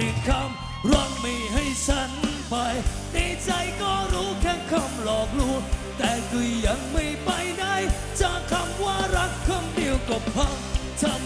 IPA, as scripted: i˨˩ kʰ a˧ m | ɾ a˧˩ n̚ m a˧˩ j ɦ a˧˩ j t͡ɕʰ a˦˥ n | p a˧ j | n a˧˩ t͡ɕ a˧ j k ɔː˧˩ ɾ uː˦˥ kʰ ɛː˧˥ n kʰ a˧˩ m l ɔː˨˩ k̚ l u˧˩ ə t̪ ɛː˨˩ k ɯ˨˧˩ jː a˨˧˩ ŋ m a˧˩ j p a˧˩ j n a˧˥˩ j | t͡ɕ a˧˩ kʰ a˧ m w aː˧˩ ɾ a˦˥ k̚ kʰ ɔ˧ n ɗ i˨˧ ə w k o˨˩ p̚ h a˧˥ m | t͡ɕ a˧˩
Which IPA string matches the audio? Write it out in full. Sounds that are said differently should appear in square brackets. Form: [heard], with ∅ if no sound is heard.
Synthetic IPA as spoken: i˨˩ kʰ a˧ m | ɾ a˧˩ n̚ m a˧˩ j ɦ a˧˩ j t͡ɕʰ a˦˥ n | p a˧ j | n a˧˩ t͡ɕ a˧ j k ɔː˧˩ ɾ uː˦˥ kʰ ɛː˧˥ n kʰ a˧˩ m l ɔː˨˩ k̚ l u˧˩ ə t̪ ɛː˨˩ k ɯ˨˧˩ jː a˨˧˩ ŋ m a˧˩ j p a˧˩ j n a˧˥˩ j | t͡ɕ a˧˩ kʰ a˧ m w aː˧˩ ɾ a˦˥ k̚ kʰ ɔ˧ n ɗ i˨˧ ə w k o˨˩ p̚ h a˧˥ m | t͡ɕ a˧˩